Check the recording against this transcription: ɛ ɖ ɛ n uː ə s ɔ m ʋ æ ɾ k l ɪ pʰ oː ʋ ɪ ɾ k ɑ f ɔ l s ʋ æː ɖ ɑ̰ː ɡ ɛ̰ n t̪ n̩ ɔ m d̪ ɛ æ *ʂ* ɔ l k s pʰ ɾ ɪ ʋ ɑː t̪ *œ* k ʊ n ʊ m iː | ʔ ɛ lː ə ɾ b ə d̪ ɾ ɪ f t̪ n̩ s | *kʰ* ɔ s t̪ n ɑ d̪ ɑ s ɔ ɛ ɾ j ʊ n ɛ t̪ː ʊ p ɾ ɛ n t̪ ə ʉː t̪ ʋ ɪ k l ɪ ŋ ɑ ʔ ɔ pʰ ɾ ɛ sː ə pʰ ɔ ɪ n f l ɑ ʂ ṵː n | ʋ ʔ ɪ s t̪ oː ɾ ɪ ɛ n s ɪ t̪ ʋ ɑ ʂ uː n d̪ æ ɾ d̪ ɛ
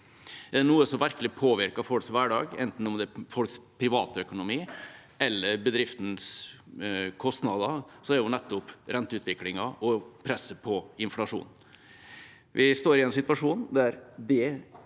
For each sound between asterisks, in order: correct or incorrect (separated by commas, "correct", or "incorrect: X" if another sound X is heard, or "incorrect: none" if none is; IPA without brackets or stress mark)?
incorrect: f, correct, correct